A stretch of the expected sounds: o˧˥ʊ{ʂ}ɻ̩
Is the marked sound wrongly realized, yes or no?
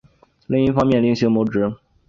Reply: yes